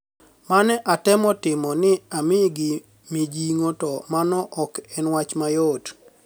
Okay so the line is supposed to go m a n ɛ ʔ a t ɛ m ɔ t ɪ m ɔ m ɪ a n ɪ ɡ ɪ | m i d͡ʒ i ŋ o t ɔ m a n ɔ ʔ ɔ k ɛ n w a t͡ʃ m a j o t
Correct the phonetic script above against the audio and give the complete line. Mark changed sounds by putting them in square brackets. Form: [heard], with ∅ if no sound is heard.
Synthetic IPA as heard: m a n ɛ ʔ a t ɛ m ɔ t ɪ m ɔ [n] ɪ a [m] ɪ ɡ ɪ | m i d͡ʒ i ŋ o t ɔ m a n ɔ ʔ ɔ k ɛ n w a t͡ʃ m a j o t